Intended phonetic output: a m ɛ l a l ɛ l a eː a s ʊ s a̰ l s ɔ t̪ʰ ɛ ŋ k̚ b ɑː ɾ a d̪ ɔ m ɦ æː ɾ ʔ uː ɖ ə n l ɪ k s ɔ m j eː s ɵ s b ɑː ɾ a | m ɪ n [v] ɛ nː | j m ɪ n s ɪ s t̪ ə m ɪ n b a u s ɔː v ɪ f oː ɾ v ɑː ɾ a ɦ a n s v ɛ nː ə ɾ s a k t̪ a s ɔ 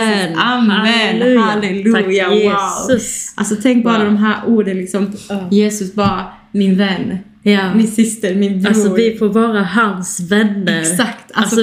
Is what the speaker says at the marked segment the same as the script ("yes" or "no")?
yes